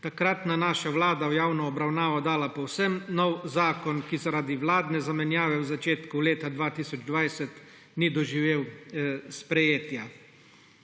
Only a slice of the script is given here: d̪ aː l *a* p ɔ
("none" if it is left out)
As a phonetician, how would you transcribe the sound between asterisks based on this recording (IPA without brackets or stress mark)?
a